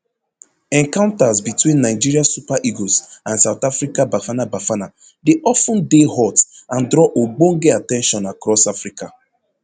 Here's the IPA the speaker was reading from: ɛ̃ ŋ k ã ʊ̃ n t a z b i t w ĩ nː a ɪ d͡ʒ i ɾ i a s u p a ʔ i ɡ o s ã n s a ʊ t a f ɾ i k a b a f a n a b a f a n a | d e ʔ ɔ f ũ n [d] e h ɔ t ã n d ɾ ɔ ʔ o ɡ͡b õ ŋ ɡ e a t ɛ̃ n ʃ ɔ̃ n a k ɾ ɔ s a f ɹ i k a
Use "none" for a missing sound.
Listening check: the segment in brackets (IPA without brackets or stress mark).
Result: d